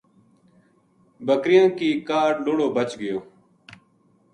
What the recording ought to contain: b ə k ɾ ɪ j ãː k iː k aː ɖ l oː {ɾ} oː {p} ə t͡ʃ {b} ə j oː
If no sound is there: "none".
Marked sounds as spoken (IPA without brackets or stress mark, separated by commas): ɽ, b, ɡ